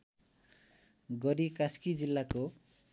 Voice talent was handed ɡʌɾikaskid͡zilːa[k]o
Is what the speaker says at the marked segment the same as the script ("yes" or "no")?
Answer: yes